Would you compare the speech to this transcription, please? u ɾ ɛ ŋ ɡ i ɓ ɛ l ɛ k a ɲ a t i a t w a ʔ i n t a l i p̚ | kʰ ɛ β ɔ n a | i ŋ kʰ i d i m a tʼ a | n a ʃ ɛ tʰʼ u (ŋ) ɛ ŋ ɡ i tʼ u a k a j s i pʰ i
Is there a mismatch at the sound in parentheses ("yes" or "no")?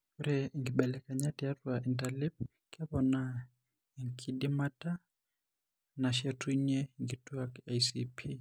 yes